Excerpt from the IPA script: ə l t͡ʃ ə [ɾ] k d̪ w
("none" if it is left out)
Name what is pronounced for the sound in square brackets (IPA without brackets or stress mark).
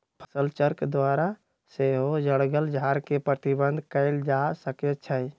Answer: ɾ